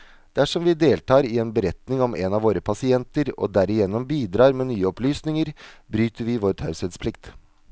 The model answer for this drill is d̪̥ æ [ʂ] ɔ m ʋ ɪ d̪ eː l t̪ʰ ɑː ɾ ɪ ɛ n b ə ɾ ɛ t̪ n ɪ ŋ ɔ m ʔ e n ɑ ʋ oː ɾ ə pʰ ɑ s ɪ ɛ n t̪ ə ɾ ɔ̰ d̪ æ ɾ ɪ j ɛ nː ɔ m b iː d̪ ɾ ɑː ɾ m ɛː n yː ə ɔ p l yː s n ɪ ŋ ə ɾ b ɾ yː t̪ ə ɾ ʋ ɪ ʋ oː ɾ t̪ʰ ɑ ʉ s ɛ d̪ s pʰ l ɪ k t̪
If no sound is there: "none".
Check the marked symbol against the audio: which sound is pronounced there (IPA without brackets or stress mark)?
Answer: ʂ